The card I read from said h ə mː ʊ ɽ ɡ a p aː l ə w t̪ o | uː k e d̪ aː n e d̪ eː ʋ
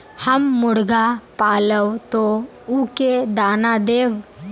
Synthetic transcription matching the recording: h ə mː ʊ ɽ ɡ a p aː l ə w t̪ o | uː k e d̪ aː n a d̪ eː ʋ